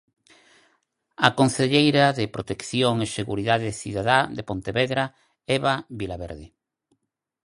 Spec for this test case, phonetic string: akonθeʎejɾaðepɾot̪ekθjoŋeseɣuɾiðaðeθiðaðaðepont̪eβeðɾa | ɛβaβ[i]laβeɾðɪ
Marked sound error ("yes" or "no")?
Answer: no